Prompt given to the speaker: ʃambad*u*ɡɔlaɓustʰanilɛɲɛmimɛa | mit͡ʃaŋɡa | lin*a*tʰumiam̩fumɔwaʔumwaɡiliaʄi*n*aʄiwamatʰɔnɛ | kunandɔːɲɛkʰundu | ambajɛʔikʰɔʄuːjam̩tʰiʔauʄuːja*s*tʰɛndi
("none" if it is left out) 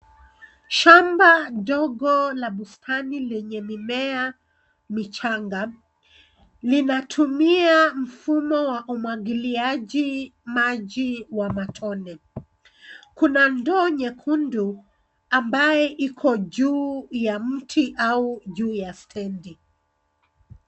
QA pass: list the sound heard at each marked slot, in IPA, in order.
ɔ, a, m, s

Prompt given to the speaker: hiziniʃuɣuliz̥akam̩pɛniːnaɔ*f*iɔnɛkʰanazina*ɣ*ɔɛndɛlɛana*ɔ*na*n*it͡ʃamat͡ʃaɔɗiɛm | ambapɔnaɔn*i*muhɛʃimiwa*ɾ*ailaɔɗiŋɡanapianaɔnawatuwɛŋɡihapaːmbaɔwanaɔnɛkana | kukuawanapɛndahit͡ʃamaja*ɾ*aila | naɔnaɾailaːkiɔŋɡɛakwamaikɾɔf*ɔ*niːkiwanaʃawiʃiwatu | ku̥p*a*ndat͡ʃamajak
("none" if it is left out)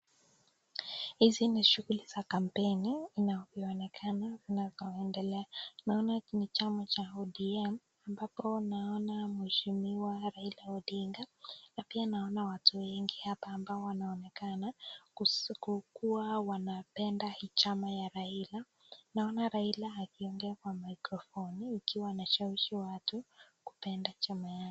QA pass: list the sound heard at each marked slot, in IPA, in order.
v, z, ɔ, n, a, ɾ, ɾ, ɔ, ɛ

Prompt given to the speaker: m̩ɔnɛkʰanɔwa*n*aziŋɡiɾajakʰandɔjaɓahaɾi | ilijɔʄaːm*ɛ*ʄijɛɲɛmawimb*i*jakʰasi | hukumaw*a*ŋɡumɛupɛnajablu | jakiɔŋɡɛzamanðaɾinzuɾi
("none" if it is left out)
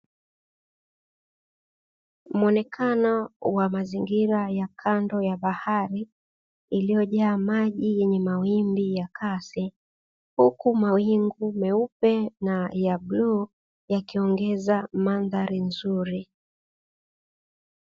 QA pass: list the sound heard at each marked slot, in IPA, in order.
m, a, i, i

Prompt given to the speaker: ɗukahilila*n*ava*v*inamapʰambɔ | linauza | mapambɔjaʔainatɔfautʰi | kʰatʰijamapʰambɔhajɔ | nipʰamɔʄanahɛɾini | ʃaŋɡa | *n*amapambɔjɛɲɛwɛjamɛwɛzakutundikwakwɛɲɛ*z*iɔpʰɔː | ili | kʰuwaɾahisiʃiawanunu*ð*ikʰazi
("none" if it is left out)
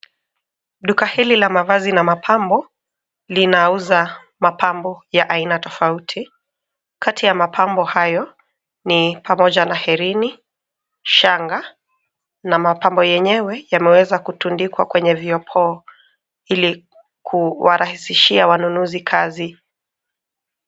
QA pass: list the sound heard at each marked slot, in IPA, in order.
m, z, n, v, z

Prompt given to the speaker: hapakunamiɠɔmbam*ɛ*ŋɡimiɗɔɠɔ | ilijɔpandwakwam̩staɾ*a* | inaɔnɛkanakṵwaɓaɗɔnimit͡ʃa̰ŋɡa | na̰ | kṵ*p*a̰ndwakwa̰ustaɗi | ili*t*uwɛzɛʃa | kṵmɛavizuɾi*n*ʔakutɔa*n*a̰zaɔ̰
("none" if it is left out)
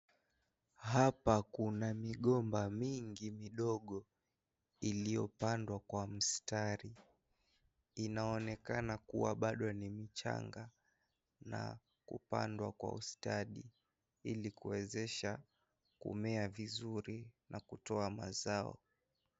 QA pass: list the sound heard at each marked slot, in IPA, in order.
i, i, p, k, n, m

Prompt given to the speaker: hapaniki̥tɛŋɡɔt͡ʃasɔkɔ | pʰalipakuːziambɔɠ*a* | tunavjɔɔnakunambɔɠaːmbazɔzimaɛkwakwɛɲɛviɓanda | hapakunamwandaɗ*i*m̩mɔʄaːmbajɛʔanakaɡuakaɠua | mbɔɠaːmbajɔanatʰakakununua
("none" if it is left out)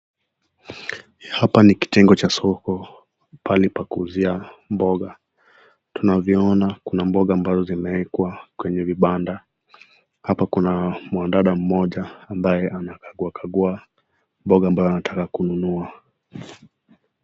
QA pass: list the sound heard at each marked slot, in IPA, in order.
a, a

